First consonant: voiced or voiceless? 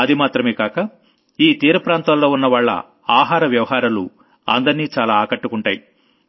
voiced